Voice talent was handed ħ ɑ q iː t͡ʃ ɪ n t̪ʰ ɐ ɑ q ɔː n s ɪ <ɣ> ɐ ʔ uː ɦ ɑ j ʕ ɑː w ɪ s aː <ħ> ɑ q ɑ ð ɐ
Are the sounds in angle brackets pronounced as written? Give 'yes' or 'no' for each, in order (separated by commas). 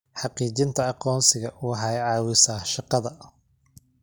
yes, no